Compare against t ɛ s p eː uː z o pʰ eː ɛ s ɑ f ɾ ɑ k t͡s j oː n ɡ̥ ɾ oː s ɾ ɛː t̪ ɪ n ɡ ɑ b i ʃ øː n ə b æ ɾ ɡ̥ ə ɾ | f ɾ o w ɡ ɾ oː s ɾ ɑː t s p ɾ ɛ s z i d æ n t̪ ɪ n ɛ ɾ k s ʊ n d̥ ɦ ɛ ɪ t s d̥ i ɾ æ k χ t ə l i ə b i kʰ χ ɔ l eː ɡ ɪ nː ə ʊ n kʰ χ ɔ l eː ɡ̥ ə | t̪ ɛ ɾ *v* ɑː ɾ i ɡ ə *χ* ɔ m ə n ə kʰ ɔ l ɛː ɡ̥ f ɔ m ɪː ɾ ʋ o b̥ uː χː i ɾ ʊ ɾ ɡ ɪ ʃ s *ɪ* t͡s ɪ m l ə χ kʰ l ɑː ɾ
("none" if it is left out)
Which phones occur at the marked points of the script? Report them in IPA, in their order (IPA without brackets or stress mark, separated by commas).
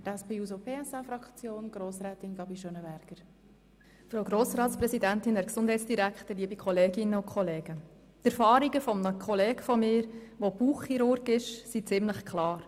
f, f, i